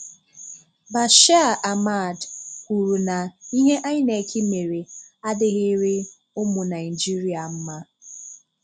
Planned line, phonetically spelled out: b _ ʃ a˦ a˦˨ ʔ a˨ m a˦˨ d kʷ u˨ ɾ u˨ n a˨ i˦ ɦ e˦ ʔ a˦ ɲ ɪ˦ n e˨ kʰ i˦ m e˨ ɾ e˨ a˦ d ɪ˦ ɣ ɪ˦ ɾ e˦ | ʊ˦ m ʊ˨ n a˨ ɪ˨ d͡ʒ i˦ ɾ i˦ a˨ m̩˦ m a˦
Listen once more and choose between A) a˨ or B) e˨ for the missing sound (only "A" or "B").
A